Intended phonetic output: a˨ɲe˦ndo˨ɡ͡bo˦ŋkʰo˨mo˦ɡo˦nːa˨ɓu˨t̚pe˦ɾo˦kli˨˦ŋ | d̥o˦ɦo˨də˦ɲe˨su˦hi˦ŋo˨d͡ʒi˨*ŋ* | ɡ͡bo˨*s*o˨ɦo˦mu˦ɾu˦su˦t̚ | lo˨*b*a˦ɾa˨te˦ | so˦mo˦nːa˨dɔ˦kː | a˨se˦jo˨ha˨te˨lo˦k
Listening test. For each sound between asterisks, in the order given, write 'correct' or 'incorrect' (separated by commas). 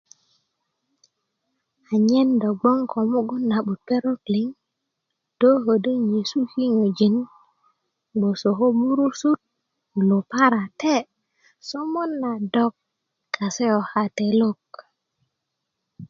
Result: incorrect, correct, incorrect